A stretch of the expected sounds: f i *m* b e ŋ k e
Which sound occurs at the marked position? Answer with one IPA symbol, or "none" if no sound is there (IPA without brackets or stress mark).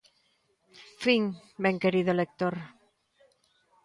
ŋ